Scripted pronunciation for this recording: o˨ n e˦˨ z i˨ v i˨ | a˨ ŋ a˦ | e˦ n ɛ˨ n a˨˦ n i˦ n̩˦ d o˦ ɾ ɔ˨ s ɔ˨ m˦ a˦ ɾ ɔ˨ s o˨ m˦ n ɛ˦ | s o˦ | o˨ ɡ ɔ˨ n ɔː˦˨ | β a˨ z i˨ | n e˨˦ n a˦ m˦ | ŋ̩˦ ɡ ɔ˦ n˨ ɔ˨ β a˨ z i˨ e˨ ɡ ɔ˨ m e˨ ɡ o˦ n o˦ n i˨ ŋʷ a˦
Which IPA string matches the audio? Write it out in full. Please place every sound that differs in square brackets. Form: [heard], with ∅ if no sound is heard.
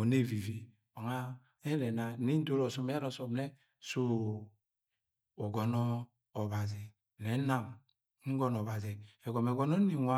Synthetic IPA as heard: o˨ n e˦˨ [v] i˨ v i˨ | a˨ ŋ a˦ | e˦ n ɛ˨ n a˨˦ n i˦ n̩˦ d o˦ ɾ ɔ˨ s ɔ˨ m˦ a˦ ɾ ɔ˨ s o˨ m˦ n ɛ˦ | s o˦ | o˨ ɡ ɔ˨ n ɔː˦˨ | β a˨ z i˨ | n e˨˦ n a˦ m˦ | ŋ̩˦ ɡ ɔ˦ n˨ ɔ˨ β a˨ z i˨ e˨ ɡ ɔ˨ m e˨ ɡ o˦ n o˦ n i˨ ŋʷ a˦